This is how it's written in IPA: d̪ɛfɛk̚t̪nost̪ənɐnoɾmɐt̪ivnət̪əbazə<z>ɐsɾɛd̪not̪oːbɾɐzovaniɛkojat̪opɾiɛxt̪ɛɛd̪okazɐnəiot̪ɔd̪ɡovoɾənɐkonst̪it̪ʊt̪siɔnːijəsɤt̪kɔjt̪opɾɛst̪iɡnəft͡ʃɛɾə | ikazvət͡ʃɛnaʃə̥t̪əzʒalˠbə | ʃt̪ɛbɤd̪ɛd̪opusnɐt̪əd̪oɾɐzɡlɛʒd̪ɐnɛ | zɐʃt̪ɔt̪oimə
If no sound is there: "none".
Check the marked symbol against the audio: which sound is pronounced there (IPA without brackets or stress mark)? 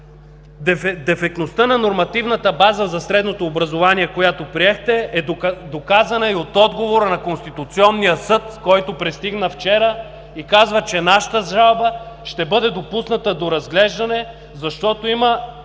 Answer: z